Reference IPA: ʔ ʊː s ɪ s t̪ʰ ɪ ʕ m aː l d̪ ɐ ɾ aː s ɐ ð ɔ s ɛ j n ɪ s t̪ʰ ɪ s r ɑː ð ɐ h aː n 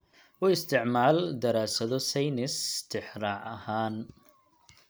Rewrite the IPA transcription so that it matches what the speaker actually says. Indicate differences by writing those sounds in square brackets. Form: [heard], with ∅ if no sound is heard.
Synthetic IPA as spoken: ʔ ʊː [∅] ɪ s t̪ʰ ɪ ʕ m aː l d̪ ɐ ɾ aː s ɐ ð ɔ s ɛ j n ɪ s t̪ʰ ɪ [ħ] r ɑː [ʕ] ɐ h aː n